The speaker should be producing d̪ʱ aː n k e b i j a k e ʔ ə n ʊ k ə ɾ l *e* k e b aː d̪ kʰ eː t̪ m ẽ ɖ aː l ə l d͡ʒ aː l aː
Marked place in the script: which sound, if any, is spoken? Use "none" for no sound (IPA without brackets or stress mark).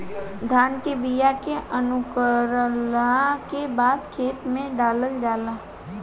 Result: a